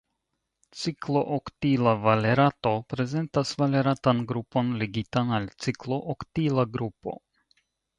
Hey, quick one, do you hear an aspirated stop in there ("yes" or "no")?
no